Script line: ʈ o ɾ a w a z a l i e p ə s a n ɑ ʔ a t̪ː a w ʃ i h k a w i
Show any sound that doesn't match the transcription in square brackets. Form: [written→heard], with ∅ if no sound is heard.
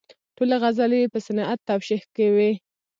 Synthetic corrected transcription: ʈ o [ɾ→l] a [w→ɣ] a z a l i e p ə s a n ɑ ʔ a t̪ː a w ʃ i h k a w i